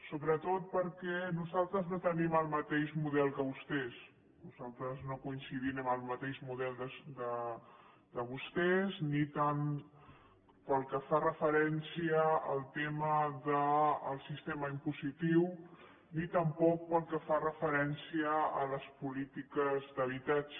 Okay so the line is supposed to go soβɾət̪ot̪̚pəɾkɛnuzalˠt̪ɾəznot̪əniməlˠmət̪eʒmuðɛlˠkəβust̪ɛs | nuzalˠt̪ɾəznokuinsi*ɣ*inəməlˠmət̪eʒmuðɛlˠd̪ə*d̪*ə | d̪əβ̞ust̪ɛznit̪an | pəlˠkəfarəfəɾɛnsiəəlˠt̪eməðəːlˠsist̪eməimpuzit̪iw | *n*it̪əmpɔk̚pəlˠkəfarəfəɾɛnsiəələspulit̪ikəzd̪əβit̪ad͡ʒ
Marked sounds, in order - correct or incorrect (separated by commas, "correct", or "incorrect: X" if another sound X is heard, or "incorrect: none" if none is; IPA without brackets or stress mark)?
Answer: incorrect: ð, correct, correct